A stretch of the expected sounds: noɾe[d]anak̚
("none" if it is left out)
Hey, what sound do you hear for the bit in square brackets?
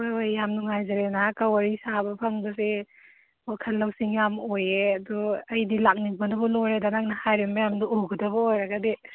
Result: d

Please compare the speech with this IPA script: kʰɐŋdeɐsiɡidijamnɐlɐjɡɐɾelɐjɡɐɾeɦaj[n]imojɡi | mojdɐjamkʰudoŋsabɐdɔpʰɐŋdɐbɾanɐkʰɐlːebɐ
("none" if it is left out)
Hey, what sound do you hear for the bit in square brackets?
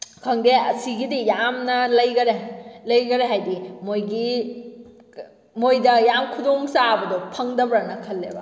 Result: d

